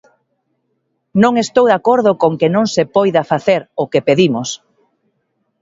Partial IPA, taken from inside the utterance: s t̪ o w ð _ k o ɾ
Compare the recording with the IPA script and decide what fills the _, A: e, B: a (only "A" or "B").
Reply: B